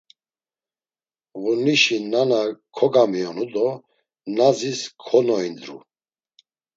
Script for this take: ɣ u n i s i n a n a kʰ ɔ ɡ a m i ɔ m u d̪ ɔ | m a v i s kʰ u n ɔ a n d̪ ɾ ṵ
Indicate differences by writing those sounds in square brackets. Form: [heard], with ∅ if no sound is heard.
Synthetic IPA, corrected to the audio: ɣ u n i [ʃ] i n a n a kʰ ɔ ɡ a m i ɔ [n] u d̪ ɔ | [n] a [z] i s kʰ [ɔ] n ɔ [i] n d̪ ɾ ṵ

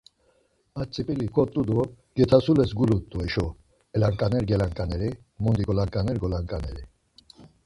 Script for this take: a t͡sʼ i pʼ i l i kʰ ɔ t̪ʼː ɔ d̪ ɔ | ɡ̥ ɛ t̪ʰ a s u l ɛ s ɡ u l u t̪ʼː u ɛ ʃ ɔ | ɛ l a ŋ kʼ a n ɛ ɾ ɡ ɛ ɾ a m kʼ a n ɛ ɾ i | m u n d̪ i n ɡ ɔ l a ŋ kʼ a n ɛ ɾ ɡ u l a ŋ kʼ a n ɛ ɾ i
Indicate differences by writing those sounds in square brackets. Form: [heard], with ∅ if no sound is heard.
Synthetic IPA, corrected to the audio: a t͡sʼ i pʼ i l i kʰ ɔ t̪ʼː [u] d̪ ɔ | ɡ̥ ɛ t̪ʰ a s u l ɛ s ɡ u l u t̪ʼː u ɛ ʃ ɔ | ɛ l a ŋ kʼ a n ɛ ɾ ɡ ɛ [l] a [ŋ] kʼ a n ɛ ɾ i | m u n d̪ i [∅] ɡ ɔ l a ŋ kʼ a n ɛ ɾ ɡ [ɔ] l a ŋ kʼ a n ɛ ɾ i

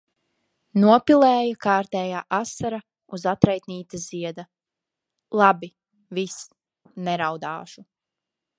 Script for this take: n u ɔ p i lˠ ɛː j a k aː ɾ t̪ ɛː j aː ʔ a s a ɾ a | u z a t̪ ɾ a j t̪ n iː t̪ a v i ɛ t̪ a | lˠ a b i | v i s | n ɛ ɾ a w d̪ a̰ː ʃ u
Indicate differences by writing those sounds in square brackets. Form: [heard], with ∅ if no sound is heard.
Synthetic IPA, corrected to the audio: n u ɔ p i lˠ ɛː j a k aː ɾ t̪ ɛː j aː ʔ a s a ɾ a | u z a t̪ ɾ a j t̪ n iː t̪ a [z] i ɛ [d̪] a | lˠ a b i | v i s | n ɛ ɾ a w d̪ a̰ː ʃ u

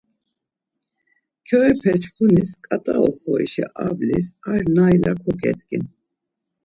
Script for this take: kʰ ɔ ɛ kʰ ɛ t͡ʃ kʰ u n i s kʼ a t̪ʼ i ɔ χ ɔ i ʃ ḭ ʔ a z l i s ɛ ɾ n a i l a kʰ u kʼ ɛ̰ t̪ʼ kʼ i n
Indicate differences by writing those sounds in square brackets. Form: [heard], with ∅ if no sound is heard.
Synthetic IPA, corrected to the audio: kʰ ɔ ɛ [pʰ] ɛ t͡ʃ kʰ u n i s kʼ a t̪ʼ [a] ɔ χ ɔ i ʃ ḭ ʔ a [v] l i s [a] ɾ n a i l a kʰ [ɔ] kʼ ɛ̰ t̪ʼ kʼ i n

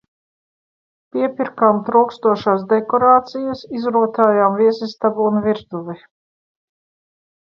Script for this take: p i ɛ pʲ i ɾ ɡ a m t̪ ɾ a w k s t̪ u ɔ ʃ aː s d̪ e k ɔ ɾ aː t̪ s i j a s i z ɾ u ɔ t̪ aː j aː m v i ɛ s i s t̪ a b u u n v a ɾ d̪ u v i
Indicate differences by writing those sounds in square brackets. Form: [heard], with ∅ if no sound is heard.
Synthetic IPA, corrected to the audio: p i ɛ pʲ i ɾ [k] a m t̪ ɾ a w k s t̪ u ɔ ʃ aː s d̪ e k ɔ ɾ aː t̪ s i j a s i z ɾ u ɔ t̪ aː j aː m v i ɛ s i s t̪ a b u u n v [i] ɾ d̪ u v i

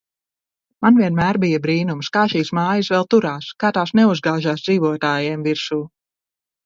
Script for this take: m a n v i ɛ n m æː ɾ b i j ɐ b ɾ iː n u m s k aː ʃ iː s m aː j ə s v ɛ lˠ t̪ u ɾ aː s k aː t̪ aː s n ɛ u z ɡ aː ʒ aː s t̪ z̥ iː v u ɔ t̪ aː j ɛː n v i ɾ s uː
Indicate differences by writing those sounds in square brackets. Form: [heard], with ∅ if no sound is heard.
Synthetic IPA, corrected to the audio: m a n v i ɛ n m æː ɾ b i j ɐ b ɾ iː n u m s k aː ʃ iː s m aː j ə s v ɛ lˠ t̪ u ɾ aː s k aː t̪ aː s n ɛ u z ɡ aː ʒ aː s [d̪] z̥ iː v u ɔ t̪ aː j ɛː [m] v i ɾ s uː

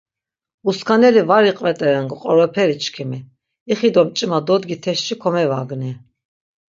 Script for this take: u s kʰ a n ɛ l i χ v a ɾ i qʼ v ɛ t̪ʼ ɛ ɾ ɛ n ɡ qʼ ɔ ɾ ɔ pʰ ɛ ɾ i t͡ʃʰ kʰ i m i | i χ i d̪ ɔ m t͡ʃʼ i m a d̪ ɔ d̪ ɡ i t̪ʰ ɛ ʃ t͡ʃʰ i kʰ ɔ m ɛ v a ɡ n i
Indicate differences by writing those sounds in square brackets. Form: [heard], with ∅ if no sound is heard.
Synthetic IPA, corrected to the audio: u s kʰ a n ɛ l i [∅] v a ɾ i qʼ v ɛ t̪ʼ ɛ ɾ ɛ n ɡ qʼ ɔ ɾ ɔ pʰ ɛ ɾ i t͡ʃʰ kʰ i m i | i χ i d̪ ɔ m t͡ʃʼ i m a d̪ ɔ d̪ ɡ i t̪ʰ ɛ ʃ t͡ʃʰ i kʰ ɔ m ɛ v a ɡ n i

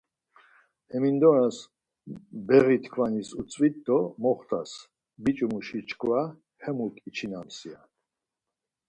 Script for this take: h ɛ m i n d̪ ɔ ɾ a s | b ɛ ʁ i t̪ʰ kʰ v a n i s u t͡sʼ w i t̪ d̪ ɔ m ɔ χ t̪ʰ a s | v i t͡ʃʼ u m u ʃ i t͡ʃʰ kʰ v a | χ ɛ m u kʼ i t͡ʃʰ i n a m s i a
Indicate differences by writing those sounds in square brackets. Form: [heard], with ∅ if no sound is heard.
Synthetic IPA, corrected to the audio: h ɛ m i n d̪ ɔ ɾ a s | b ɛ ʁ i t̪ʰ kʰ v a n i s u t͡sʼ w i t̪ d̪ ɔ m ɔ χ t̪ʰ a s | [b] i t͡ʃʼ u m u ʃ i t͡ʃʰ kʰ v a | [h] ɛ m u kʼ i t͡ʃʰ i n a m s i a

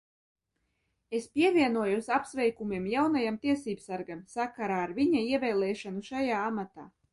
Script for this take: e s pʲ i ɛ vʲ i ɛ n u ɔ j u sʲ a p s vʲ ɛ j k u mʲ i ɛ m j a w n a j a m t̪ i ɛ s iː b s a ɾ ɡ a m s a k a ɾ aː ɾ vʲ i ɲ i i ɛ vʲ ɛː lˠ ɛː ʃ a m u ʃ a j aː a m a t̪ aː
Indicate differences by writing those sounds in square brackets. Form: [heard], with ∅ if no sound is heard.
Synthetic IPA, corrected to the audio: e s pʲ i ɛ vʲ i ɛ n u ɔ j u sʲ a p s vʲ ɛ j k u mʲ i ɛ m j a w n a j a m t̪ i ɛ s iː b s a ɾ ɡ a m s a k a ɾ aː ɾ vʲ i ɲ [a] i ɛ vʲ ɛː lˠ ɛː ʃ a [n] u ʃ a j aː a m a t̪ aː

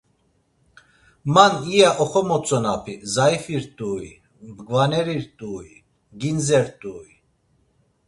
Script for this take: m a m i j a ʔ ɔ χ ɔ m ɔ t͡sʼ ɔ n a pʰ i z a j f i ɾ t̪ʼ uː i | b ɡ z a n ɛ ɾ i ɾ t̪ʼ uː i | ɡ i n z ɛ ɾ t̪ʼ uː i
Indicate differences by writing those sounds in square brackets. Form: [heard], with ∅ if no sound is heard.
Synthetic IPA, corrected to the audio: m a [n] i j a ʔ ɔ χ ɔ m ɔ t͡sʼ ɔ n a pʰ i z a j f i ɾ t̪ʼ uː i | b ɡ [v] a n ɛ ɾ i ɾ t̪ʼ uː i | ɡ i n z ɛ ɾ t̪ʼ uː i

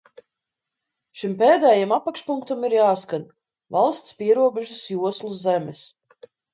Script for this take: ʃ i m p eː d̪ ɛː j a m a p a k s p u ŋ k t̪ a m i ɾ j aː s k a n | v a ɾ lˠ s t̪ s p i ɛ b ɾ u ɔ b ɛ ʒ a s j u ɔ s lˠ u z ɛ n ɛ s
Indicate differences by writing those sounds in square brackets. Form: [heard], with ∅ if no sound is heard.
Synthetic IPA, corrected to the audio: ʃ i m p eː d̪ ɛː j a m a p a k [ʃ] p u ŋ k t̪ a m i ɾ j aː s k a n | v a [∅] lˠ s t̪ s p i ɛ [∅] ɾ u ɔ b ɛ ʒ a s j u ɔ s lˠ u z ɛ [m] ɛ s

